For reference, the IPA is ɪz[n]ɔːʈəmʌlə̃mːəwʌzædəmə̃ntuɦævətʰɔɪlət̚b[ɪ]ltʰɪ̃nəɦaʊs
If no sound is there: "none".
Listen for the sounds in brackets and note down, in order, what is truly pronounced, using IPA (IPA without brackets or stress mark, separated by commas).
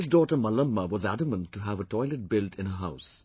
d, ɪ